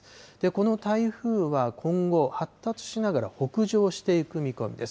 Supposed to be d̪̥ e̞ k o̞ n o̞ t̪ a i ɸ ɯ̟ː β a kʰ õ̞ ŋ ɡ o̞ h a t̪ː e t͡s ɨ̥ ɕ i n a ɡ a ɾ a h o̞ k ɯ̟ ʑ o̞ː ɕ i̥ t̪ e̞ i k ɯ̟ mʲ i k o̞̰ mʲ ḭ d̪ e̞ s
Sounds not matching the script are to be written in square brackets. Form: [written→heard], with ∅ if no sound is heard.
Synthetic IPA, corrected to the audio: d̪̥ e̞ k o̞ n o̞ t̪ a i ɸ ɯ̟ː β a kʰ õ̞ ŋ ɡ o̞ h a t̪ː [e→a] t͡s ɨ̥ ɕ i n a ɡ a ɾ a h o̞ k ɯ̟ ʑ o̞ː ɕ i̥ t̪ e̞ i k ɯ̟ mʲ i k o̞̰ mʲ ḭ d̪ e̞ s